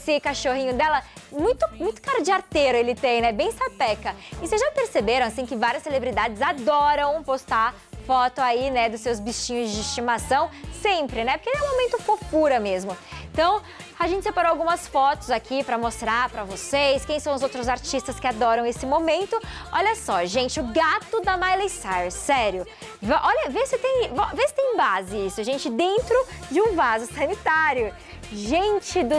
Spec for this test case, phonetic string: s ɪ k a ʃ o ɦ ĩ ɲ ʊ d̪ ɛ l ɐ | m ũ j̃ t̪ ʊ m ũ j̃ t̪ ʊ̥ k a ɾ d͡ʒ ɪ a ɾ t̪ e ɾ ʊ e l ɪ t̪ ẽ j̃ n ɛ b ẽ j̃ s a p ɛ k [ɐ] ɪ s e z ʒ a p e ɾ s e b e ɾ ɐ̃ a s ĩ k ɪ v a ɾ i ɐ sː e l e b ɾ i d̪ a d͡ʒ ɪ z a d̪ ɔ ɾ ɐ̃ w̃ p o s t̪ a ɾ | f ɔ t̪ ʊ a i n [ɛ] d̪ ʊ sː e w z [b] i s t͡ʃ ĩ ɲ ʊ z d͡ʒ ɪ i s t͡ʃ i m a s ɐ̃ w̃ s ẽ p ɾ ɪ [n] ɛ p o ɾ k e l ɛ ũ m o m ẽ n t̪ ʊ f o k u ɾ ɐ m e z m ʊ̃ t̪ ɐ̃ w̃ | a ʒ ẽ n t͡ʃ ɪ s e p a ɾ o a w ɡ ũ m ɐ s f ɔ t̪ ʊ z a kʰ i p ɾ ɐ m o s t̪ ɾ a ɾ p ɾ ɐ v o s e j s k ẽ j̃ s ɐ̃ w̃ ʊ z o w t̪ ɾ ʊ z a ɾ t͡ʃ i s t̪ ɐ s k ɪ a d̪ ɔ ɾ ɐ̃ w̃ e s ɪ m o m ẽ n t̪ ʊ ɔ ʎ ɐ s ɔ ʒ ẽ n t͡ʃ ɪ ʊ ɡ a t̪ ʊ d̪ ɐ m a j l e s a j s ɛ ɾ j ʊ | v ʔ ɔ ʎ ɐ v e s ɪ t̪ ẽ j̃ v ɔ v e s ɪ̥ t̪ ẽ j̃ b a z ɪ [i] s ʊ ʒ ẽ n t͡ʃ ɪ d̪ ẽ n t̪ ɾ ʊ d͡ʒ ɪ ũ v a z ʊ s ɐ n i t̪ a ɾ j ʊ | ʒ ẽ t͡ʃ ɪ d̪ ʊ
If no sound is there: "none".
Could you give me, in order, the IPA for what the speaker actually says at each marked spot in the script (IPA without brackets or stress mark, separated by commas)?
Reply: ɐ, ɛ, b, n, i